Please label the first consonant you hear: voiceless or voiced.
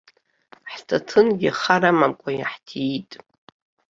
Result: voiceless